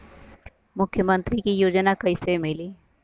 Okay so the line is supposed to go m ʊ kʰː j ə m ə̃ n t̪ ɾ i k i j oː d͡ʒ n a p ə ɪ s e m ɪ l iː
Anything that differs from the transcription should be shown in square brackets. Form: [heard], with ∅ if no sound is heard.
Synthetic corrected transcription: m ʊ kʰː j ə m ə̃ n t̪ ɾ i k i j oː d͡ʒ n a [k] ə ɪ s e m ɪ l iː